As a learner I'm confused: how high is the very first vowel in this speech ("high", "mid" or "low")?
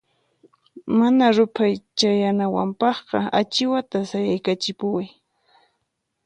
low